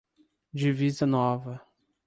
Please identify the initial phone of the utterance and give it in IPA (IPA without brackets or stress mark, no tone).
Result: d͡ʒ